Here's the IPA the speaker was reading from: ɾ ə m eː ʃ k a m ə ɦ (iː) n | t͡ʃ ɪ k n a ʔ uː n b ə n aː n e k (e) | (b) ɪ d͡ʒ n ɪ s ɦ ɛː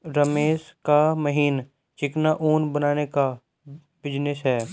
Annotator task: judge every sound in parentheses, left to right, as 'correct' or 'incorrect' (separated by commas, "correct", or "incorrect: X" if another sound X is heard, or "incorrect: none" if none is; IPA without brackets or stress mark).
correct, incorrect: a, correct